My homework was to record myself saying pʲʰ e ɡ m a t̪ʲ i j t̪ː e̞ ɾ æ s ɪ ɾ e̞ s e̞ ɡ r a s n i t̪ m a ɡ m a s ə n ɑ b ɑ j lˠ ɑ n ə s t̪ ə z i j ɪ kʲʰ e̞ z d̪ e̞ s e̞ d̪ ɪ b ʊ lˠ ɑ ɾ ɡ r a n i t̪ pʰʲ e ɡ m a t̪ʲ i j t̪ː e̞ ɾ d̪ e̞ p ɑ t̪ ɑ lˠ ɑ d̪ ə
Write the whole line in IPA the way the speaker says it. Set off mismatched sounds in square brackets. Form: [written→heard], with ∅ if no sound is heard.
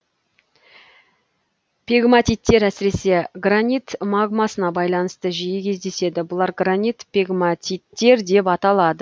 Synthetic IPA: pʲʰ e ɡ m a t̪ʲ i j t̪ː e̞ ɾ æ s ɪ ɾ e̞ s e̞ ɡ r a [s→∅] n i t̪ m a ɡ m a s ə n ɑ b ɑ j lˠ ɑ n ə s t̪ ə [z→ʒ] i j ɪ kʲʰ e̞ z d̪ e̞ s e̞ d̪ ɪ b ʊ lˠ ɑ ɾ ɡ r a n i t̪ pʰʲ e ɡ m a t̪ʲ i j t̪ː e̞ ɾ d̪ e̞ p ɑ t̪ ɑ lˠ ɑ d̪ ə